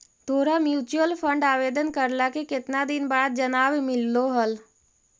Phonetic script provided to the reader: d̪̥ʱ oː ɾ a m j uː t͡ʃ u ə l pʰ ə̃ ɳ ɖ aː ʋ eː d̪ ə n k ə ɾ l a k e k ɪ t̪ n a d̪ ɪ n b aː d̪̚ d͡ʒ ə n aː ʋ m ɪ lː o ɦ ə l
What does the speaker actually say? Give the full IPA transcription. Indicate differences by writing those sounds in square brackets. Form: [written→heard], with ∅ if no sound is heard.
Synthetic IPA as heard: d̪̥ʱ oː ɾ a m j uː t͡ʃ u ə l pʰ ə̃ ɳ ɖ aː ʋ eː d̪ ə n k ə ɾ l a k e k ɪ t̪ n a d̪ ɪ n b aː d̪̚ d͡ʒ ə n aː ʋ m ɪ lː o ɦ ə l